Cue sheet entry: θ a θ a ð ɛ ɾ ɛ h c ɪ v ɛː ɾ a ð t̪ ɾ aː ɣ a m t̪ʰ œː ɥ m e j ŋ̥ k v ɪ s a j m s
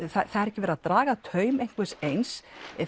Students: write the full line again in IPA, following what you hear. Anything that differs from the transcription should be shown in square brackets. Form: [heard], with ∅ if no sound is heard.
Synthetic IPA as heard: θ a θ a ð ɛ ɾ ɛ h c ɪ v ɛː ɾ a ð t̪ ɾ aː ɣ a [∅] t̪ʰ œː ɥ m e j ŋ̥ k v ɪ s [e] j [n] s